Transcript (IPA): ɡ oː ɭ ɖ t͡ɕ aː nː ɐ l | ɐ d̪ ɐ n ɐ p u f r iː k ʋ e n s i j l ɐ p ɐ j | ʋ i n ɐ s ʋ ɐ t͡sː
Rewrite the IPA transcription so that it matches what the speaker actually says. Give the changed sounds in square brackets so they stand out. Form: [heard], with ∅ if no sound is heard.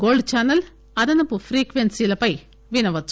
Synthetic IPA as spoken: ɡ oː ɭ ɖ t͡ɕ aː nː ɐ l | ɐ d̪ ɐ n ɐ p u f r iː k ʋ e n s i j l ɐ p ɐ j | ʋ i n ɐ [∅] ʋ ɐ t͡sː